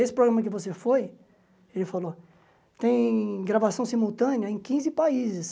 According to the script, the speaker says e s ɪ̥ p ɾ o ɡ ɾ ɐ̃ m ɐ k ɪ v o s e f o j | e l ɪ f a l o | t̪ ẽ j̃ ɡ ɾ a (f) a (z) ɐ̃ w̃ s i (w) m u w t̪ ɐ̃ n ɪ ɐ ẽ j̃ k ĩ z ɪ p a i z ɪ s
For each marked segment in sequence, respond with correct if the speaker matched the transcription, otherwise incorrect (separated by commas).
incorrect, incorrect, incorrect